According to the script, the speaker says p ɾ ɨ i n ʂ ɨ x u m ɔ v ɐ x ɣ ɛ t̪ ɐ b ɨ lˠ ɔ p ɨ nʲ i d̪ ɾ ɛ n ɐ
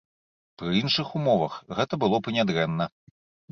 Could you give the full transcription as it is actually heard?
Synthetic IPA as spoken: p ɾ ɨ i n ʂ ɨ x u m ɔ v ɐ x ɣ ɛ t̪ ɐ b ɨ lˠ ɔ p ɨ nʲ a d̪ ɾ ɛ nː ɐ